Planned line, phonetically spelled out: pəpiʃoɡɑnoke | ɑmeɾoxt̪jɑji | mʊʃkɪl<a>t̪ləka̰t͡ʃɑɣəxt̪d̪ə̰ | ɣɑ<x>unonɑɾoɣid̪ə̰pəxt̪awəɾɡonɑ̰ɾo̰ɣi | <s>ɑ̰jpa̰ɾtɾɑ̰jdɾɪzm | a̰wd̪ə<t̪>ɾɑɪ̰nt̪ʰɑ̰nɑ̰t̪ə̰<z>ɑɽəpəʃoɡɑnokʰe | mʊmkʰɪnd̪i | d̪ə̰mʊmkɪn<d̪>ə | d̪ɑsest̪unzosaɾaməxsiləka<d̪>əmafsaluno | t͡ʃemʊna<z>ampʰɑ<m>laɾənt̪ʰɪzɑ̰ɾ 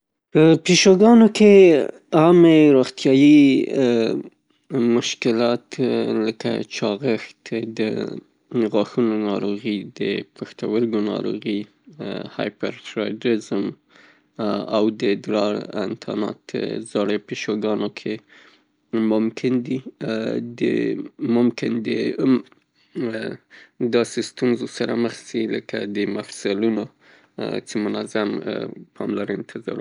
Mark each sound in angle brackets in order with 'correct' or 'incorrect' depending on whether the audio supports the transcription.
incorrect: ɑ, correct, incorrect: h, incorrect: d̪, correct, correct, correct, correct, correct

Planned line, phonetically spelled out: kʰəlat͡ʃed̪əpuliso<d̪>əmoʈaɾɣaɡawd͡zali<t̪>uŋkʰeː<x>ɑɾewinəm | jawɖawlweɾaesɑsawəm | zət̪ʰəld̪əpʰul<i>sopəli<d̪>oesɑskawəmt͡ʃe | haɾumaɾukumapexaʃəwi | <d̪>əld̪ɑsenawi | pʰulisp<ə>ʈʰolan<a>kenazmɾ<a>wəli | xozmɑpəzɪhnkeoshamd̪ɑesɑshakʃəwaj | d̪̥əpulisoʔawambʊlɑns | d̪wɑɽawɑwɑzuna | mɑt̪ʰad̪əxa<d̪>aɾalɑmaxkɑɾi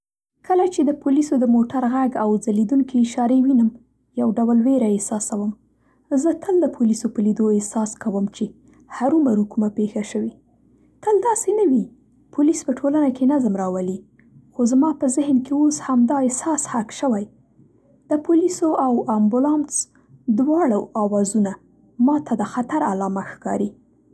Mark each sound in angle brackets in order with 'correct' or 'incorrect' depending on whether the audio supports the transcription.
correct, incorrect: d̪, incorrect: ʃ, correct, correct, incorrect: t̪, correct, correct, incorrect: ɑ, incorrect: t̪

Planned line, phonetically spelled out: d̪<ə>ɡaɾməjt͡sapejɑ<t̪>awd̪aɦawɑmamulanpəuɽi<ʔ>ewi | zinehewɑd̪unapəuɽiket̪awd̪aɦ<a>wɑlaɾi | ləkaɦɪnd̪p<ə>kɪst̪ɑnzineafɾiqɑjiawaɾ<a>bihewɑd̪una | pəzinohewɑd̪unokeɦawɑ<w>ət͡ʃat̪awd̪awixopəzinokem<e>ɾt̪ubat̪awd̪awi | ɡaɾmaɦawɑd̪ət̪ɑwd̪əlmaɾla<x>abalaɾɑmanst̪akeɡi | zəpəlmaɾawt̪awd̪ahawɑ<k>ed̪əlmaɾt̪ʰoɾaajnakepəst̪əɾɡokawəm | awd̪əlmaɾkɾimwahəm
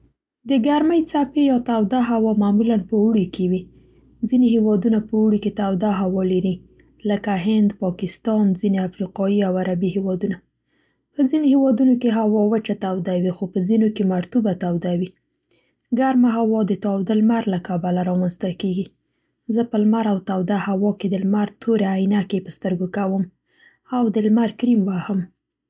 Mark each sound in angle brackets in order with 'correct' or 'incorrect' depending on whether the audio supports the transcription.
correct, correct, incorrect: k, correct, incorrect: ɑ, correct, correct, incorrect: a, incorrect: k, correct

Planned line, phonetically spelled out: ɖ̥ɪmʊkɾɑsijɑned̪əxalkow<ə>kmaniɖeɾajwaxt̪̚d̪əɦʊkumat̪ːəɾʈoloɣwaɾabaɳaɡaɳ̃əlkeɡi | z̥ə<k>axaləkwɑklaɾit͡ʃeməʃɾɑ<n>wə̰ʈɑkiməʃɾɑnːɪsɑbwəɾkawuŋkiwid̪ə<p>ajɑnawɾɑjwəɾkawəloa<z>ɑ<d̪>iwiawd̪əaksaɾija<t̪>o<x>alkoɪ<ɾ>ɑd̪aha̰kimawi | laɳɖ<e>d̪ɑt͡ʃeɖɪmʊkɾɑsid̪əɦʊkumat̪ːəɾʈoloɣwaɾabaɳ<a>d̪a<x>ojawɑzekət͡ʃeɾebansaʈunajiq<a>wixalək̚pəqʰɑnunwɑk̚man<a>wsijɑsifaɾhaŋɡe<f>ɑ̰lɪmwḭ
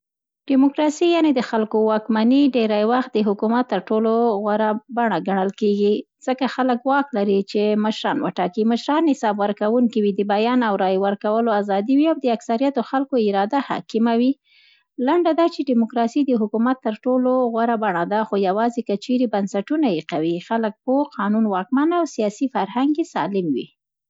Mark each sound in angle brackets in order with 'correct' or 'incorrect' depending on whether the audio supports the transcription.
incorrect: ɑ, correct, correct, incorrect: b, correct, correct, correct, correct, correct, incorrect: a, correct, correct, correct, correct, incorrect: s

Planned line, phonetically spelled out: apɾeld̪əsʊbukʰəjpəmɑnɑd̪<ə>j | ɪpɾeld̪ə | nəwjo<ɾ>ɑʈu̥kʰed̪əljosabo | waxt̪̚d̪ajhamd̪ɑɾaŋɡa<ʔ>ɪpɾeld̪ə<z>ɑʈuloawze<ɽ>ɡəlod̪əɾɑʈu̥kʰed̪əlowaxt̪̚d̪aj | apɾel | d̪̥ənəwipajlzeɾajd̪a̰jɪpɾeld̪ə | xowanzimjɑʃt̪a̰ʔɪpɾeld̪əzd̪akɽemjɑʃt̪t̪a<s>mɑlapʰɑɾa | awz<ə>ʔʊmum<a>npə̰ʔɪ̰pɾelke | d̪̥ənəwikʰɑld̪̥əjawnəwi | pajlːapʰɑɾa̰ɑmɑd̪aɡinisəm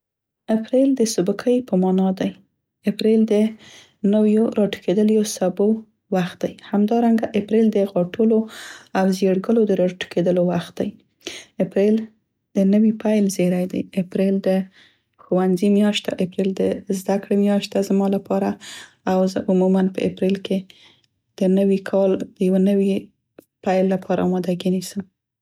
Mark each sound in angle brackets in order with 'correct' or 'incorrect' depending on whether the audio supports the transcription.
incorrect: a, correct, correct, incorrect: ɣ, correct, incorrect: z, correct, correct

